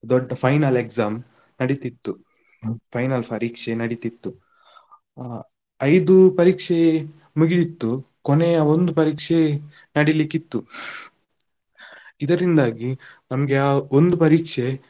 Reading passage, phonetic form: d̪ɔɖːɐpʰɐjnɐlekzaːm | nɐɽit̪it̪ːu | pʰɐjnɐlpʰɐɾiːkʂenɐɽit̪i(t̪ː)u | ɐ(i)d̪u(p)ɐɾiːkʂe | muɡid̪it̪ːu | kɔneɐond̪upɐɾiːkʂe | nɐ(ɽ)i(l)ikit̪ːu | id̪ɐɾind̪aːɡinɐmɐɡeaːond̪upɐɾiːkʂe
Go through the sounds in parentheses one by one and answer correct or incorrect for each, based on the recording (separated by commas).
correct, incorrect, correct, correct, correct